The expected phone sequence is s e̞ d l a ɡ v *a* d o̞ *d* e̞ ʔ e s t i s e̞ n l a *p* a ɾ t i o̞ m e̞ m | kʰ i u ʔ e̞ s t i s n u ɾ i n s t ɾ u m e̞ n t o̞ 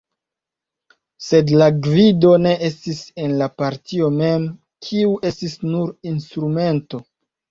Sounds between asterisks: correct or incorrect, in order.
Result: incorrect: i, incorrect: n, correct

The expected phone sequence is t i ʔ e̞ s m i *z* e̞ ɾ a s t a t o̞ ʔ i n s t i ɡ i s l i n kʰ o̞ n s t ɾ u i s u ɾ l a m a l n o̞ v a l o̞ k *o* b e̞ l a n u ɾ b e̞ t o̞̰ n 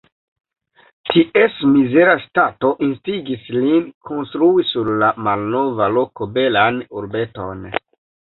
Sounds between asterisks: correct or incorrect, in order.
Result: correct, correct

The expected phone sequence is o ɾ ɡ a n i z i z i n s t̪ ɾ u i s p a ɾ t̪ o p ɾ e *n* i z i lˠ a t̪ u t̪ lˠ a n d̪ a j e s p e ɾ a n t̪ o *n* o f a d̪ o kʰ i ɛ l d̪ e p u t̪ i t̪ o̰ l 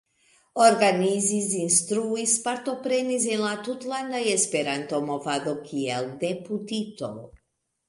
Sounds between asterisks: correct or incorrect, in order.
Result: correct, incorrect: m

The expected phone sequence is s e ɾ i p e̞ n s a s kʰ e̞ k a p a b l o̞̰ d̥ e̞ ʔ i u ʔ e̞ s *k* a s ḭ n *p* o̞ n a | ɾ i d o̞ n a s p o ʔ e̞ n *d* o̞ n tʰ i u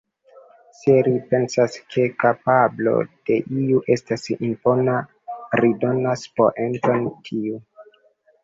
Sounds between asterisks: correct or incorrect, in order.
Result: incorrect: t, correct, incorrect: t

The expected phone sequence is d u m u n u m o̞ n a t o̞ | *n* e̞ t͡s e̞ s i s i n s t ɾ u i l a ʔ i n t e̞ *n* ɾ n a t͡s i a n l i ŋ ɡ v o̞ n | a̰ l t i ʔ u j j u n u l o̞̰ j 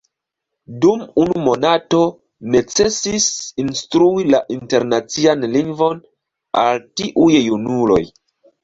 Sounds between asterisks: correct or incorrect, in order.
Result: correct, incorrect: none

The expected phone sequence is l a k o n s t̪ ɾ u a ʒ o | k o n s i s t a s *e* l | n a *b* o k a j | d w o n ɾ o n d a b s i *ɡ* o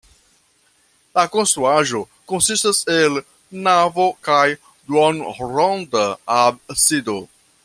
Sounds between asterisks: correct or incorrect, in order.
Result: correct, incorrect: v, incorrect: d

